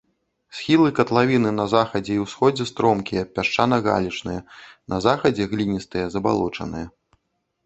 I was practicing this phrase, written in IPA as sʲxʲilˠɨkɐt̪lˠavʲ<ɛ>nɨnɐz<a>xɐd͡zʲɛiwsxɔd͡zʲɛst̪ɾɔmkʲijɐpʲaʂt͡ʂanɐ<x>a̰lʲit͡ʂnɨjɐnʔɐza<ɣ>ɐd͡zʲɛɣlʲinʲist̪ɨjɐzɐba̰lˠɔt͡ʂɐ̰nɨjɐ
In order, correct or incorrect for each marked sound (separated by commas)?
incorrect, correct, incorrect, incorrect